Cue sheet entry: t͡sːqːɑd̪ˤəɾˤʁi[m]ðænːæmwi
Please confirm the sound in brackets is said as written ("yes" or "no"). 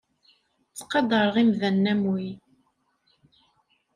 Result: yes